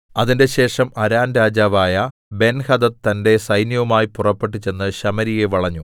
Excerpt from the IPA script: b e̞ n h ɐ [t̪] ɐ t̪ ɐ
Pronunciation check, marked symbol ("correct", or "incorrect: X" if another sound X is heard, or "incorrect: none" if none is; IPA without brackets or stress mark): incorrect: d̪